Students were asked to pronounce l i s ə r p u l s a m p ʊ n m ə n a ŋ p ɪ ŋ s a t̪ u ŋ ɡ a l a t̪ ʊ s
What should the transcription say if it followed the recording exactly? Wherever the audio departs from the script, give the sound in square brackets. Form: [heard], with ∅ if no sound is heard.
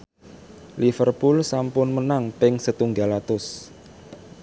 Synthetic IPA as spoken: l i [f] ə r p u l s a m p ʊ n m ə n a ŋ p ɪ ŋ s [ə] t̪ u ŋ ɡ a l a t̪ ʊ s